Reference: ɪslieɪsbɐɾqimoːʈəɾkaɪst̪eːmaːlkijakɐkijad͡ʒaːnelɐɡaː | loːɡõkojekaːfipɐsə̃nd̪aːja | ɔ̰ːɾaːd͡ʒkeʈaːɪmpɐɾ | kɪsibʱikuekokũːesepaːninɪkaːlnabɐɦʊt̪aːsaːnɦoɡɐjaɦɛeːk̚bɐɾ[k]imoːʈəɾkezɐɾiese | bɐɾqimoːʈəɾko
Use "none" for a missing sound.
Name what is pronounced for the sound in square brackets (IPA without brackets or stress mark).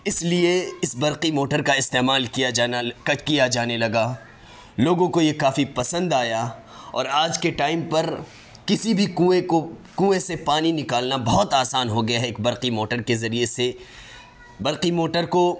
q